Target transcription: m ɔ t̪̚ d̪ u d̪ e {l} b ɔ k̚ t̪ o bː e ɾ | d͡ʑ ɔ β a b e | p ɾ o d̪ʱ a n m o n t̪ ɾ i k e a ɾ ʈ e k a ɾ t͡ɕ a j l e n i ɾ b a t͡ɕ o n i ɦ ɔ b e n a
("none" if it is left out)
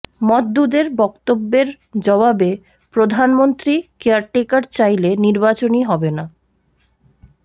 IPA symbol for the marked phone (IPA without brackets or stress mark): ɾ